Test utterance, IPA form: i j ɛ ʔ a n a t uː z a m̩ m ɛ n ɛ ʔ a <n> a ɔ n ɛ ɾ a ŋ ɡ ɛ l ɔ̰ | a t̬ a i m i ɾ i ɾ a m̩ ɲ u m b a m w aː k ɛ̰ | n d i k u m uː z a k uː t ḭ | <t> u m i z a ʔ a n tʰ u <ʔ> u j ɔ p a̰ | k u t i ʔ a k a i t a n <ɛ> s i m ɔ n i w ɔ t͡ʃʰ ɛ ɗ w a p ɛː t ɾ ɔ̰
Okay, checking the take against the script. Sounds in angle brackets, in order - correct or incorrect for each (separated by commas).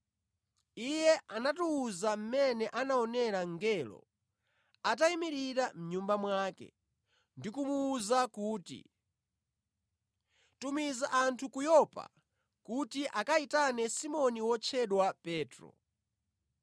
correct, correct, incorrect, correct